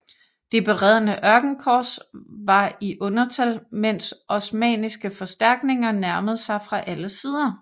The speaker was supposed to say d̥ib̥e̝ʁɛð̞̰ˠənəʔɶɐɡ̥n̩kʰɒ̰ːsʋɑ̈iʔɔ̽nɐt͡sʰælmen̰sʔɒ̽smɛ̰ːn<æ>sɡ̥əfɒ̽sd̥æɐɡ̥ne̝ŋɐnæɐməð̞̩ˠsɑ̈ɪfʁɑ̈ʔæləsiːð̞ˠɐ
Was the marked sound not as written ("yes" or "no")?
yes